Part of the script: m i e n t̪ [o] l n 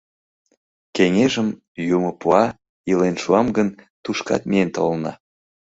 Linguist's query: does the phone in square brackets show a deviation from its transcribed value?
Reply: no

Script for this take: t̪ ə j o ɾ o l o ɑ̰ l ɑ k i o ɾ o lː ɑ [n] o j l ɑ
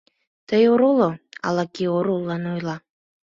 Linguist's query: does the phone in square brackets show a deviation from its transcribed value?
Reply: no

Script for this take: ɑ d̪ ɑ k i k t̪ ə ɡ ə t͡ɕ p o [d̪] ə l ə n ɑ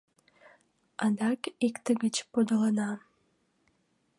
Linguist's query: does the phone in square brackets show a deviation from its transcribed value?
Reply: no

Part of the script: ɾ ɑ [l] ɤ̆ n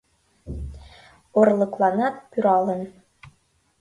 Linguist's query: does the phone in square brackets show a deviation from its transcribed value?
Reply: no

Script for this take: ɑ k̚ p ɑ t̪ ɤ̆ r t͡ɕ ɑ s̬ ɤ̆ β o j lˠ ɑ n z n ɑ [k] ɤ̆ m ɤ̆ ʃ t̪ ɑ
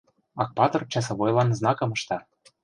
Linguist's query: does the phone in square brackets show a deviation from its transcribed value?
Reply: no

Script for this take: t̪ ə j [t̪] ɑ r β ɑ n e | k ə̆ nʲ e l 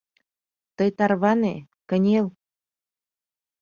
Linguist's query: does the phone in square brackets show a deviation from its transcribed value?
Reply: no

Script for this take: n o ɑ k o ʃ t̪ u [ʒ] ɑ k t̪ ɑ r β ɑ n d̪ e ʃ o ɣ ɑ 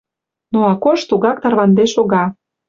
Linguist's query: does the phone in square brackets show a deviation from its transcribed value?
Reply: yes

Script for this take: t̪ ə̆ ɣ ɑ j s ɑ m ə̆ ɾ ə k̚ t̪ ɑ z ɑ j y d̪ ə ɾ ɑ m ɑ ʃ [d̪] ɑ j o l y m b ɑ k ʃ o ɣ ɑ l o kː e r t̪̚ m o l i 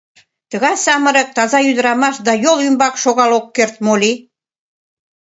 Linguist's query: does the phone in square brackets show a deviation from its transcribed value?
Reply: no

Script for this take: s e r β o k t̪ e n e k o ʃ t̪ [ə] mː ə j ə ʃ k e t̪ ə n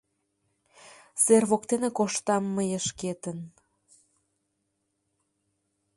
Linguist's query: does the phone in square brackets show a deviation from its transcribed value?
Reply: yes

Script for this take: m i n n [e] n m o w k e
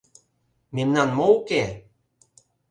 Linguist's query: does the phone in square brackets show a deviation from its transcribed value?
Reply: yes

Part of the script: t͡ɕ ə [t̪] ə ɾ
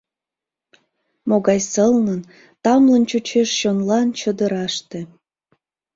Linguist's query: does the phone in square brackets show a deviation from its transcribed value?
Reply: yes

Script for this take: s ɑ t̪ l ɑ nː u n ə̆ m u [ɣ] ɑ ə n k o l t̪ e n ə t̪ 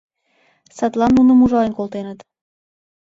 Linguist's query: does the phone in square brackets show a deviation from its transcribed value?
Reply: yes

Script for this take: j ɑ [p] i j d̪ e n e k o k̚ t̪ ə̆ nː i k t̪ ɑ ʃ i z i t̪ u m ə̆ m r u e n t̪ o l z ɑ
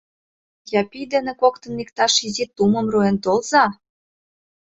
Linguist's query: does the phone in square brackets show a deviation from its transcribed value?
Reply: no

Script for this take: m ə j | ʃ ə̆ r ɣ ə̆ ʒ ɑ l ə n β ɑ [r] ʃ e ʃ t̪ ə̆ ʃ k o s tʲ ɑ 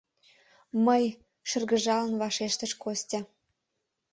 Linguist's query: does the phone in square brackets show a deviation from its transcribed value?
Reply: yes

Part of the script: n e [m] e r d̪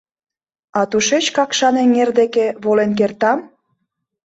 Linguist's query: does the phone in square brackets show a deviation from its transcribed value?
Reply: yes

